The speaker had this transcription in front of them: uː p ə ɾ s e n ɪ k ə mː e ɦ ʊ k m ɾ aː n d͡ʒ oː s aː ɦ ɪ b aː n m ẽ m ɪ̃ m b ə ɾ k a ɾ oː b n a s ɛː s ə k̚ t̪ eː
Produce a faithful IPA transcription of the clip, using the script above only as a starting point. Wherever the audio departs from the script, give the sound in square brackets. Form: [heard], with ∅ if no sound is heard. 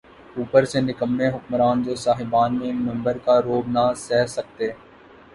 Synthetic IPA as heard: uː p ə ɾ s e n ɪ k ə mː e ɦ ʊ k m ɾ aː n d͡ʒ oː s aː ɦ ɪ b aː n m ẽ m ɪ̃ m b ə ɾ k a ɾ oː b n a s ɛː s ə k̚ t̪ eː